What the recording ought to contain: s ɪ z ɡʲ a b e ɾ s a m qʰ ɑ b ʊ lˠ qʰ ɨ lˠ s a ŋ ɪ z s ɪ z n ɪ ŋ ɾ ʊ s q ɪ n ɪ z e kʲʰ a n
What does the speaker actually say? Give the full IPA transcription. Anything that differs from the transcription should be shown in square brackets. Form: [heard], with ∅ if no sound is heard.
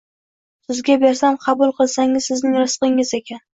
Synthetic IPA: s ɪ z ɡʲ a b e ɾ s a m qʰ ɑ b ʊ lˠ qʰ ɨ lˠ s a ŋ ɪ z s ɪ z n ɪ ŋ ɾ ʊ s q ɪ [ŋ] ɪ z e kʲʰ a n